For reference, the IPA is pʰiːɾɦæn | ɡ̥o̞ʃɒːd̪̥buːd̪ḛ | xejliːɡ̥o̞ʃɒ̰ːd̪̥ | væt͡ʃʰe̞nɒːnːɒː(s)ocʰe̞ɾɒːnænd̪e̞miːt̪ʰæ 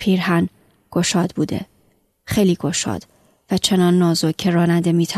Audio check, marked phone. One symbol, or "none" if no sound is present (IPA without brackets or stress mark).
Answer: z